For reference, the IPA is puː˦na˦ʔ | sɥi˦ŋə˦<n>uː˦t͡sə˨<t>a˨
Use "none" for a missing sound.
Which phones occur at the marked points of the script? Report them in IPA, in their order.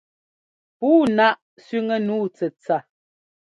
n, t͡s

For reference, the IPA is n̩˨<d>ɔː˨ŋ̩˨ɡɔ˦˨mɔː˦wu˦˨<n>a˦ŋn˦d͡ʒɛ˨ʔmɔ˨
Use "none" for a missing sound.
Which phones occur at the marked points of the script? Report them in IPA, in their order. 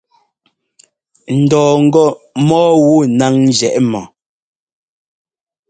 d, n

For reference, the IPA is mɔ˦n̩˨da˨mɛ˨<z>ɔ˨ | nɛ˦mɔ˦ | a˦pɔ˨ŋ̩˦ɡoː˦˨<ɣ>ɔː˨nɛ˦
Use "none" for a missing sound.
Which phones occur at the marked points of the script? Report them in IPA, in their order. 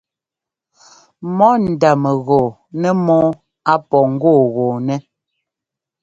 ɣ, ɣ

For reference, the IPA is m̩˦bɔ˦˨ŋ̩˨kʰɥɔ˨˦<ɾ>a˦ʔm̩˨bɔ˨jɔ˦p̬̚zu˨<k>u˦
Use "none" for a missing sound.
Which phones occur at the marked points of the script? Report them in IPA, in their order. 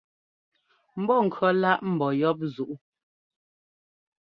l, ʔ

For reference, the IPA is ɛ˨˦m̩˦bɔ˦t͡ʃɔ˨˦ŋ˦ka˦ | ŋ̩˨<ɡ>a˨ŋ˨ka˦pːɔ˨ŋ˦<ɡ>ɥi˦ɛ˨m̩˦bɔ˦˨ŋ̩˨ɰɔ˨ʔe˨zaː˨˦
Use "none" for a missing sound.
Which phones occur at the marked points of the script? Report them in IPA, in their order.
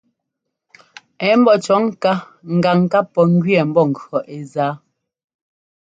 ɡ, ɡ

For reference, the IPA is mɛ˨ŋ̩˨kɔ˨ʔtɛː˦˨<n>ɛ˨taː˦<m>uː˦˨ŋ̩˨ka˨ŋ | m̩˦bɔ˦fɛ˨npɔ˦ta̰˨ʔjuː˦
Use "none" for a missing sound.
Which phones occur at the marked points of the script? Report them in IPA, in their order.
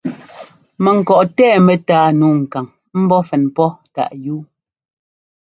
m, n

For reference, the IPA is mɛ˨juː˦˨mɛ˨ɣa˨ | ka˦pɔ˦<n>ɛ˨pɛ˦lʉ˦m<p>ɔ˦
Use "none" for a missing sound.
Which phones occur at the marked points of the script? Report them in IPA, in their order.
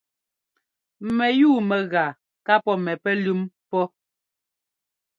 m, p

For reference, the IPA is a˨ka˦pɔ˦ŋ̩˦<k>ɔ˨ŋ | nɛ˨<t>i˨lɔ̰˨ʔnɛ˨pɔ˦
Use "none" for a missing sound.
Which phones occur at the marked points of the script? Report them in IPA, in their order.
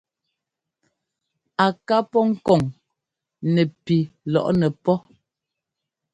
k, p

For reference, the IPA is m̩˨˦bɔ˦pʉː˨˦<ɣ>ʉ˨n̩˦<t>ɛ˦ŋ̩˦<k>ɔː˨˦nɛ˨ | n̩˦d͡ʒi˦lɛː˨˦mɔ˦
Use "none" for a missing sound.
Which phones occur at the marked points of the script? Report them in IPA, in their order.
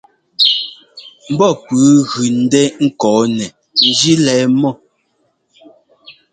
ɣ, d, k

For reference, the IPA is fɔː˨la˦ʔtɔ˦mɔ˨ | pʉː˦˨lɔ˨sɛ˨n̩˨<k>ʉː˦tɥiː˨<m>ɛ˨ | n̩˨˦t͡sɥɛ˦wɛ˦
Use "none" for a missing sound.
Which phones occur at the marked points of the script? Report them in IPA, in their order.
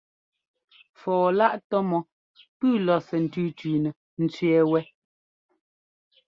t, n

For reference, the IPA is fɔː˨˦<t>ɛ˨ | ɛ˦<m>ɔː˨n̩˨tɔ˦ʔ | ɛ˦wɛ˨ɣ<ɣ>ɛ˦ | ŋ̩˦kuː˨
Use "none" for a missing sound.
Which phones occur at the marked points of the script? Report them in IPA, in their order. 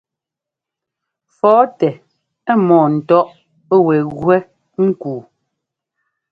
t, m, w

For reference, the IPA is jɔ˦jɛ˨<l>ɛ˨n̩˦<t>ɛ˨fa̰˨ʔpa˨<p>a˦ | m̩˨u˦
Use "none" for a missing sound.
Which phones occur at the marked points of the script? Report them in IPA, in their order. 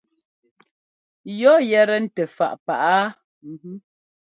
ɾ, t, ʔ

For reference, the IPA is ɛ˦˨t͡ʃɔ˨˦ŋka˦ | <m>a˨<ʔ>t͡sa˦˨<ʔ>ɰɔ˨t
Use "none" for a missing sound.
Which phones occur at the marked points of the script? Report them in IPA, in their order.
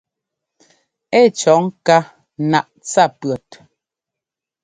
n, ʔ, p

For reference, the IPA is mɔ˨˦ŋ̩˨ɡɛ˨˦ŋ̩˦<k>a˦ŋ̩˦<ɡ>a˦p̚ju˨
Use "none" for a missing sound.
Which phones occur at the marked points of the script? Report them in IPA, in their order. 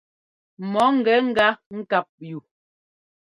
ɡ, k

